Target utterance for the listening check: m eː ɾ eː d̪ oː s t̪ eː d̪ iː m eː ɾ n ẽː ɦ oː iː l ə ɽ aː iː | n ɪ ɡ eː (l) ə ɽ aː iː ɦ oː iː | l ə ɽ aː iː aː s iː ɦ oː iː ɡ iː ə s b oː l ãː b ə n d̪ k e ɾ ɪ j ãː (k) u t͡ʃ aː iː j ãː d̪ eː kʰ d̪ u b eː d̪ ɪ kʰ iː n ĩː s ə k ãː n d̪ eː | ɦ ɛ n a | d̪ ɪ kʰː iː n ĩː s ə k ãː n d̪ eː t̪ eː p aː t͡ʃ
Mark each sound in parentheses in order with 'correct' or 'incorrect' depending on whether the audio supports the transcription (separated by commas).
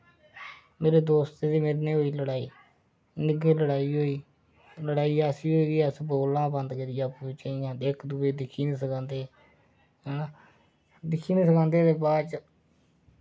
correct, incorrect